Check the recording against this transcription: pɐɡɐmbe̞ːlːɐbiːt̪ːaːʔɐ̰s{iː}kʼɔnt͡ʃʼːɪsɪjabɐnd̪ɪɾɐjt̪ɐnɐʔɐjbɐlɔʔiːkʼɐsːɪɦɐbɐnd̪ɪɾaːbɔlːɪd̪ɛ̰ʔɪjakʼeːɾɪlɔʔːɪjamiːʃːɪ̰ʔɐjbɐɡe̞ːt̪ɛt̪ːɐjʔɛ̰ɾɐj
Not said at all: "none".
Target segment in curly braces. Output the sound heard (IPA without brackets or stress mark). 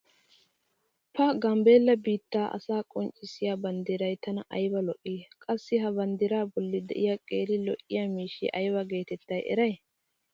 aː